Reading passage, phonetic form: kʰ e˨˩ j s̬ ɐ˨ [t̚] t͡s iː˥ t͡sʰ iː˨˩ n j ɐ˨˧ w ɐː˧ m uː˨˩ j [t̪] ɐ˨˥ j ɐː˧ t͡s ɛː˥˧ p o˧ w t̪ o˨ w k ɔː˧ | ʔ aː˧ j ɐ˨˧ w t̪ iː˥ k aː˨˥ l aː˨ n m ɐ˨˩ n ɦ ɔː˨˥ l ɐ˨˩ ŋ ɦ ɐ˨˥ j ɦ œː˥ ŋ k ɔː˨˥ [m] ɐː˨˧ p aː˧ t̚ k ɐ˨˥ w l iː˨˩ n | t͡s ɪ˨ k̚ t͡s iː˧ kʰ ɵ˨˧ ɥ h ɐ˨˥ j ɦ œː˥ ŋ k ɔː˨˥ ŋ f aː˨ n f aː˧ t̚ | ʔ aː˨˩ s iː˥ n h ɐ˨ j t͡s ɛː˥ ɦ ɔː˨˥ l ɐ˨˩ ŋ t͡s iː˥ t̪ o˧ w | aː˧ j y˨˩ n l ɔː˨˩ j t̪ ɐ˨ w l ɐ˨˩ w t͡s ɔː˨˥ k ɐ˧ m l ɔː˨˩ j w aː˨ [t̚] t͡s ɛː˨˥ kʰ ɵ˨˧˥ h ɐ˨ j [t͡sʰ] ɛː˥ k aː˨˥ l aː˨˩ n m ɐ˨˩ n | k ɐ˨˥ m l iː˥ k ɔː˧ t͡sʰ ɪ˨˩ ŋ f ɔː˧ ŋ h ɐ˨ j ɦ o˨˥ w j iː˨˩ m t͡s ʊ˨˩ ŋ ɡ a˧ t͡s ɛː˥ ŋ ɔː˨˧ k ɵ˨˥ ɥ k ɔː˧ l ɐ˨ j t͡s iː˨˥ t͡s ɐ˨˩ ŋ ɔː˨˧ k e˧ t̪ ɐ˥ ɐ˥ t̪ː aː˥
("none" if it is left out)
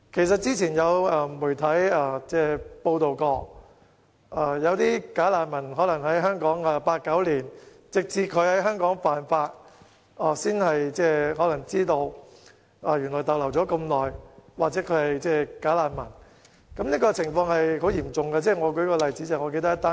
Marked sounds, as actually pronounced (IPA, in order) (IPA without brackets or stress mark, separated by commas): t̚, t̪ʰ, ŋ, k̚, t͡s